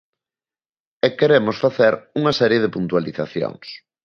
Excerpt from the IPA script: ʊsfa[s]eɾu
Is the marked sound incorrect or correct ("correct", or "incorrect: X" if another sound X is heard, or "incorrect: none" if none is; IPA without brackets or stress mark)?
incorrect: θ